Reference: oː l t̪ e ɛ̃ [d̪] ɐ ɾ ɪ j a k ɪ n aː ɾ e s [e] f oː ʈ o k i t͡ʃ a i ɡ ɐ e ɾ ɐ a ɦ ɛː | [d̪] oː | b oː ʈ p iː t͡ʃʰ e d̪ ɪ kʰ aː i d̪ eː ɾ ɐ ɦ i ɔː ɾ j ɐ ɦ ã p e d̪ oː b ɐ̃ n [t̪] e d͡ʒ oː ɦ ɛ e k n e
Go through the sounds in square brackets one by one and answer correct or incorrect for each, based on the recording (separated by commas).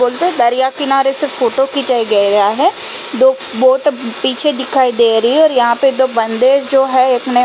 correct, correct, correct, incorrect